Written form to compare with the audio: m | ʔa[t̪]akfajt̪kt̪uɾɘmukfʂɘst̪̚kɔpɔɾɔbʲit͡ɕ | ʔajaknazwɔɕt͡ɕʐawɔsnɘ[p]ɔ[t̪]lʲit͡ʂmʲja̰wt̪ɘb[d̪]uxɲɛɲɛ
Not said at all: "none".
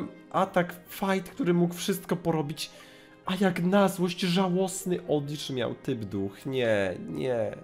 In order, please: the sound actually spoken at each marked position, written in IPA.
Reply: t̪, ʔ, d̪, d̪

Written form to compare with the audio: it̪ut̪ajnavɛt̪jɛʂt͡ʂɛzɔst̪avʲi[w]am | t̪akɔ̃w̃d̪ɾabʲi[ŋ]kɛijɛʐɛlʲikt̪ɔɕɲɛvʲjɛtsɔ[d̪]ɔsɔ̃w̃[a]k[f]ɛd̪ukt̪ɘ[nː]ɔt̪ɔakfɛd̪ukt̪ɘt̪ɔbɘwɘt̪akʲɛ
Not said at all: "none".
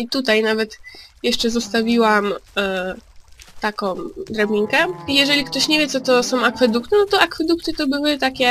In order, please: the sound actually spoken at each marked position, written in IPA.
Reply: w, ŋ, t̪, a, f, n

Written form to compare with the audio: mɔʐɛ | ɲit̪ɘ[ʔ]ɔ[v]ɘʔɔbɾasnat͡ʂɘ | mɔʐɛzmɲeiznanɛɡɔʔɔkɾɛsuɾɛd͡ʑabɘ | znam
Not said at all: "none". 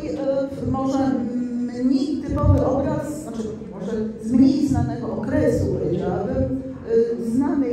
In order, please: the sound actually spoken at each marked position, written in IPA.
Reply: p, v

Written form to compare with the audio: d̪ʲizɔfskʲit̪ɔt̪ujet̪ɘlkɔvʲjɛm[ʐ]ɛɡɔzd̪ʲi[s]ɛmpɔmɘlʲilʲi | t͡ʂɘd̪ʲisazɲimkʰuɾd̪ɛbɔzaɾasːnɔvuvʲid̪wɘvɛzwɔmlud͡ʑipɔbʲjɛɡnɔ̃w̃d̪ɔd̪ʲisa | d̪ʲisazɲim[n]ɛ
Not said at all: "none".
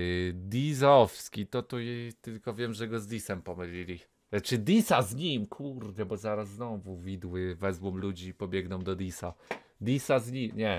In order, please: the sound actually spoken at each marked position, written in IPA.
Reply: ʐ, s, ɲ

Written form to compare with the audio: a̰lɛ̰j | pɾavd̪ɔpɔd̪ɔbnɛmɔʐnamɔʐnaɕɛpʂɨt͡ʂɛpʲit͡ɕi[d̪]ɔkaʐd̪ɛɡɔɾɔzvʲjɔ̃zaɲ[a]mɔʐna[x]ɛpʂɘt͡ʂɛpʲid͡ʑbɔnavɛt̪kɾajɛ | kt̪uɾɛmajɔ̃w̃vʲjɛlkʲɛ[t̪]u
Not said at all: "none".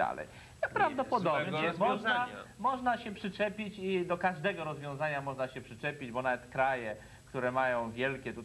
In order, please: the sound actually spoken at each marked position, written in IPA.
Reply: d̪, a, ɕ, t̪

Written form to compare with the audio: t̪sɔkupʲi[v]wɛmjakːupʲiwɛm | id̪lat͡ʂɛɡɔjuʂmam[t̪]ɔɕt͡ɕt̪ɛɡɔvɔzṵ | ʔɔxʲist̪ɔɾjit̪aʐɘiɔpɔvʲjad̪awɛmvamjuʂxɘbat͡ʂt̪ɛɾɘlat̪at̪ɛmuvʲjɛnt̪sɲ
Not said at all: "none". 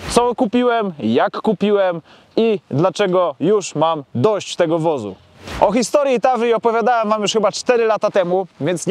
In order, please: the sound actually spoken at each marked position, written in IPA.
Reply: none, d̪

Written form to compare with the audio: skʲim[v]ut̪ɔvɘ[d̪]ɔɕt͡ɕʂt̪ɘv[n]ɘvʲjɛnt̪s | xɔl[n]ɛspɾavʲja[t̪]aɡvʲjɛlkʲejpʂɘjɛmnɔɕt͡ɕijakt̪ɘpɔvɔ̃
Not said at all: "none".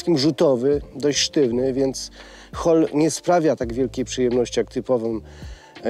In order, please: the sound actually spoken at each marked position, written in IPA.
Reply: ʐ, d̪, n, ɲ, t̪

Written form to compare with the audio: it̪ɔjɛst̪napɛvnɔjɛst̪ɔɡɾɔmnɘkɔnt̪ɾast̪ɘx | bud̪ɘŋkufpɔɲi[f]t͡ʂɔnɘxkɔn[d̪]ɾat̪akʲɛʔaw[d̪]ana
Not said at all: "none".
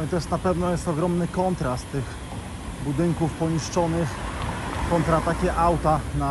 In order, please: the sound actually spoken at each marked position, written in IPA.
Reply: ʂ, t̪, t̪

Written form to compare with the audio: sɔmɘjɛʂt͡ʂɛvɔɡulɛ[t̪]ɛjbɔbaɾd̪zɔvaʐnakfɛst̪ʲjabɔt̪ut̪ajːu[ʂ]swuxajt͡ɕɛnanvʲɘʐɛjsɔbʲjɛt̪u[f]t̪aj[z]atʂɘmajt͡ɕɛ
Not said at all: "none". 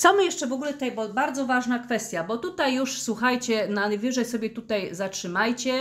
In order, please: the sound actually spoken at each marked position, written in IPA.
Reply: t̪, ʂ, none, z

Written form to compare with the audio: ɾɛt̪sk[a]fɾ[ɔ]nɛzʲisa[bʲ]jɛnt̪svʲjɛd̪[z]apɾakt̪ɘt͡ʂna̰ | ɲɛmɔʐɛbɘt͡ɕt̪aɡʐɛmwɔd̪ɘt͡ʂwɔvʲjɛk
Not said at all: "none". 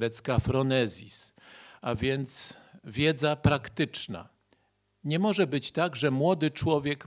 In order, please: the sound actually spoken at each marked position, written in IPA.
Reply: a, ɔ, vʲ, z

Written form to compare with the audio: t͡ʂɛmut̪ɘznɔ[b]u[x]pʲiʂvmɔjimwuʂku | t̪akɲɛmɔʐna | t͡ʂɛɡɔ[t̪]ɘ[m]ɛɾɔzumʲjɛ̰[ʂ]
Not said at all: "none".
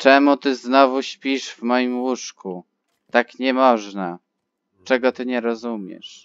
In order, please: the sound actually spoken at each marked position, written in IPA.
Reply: v, ɕ, t̪, ɲ, ʂ

